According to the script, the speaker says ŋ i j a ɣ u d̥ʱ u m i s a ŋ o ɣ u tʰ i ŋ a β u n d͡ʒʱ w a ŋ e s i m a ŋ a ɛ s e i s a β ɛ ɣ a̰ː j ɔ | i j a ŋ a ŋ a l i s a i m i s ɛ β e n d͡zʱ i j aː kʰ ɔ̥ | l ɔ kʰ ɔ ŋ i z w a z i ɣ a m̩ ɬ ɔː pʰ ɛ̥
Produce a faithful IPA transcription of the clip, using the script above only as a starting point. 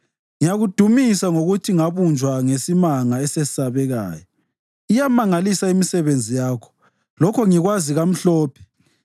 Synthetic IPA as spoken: ŋ i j a ɣ u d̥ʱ u m i s a ŋ o ɣ u tʰ i ŋ a β u n d͡ʒʱ w a ŋ e s i m a ŋ a ɛ s e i s a β ɛ ɣ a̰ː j ɔ | i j a m a ŋ a l i s a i m i s ɛ β e n d͡zʱ i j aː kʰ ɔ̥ | l ɔ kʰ ɔ ŋ i ɣ w a z i ɣ a m̩ ɬ ɔː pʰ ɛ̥